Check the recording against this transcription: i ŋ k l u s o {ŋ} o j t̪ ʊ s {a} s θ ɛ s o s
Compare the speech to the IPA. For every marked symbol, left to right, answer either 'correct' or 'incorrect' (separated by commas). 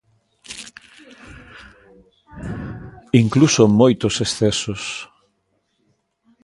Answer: incorrect, incorrect